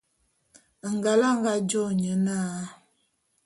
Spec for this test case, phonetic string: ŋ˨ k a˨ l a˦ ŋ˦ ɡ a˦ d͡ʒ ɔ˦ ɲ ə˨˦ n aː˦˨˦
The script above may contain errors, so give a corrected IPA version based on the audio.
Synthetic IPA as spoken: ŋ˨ ɡ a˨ l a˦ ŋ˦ ɡ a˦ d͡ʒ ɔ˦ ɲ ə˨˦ n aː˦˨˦